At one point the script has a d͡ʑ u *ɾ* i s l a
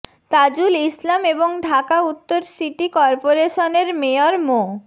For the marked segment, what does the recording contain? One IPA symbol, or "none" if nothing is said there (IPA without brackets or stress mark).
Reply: l